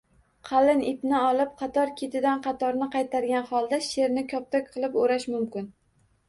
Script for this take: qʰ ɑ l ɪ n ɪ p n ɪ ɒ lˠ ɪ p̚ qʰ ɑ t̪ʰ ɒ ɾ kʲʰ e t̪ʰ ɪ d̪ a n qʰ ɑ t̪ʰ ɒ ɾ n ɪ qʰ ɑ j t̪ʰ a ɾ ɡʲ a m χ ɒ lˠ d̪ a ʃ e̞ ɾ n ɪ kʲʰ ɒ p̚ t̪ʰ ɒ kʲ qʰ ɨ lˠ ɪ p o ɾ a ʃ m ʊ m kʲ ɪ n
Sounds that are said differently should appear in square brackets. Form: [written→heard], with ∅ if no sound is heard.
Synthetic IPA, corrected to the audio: qʰ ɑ l ɪ n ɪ p n ɪ ɒ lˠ ɪ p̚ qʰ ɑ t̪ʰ ɒ ɾ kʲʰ e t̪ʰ ɪ d̪ a n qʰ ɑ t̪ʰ ɒ ɾ n ɪ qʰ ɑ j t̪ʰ a ɾ ɡʲ a [m→n] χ ɒ lˠ d̪ a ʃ e̞ ɾ n ɪ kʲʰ ɒ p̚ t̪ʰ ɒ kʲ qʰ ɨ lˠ ɪ p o ɾ a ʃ m ʊ m kʲ ɪ n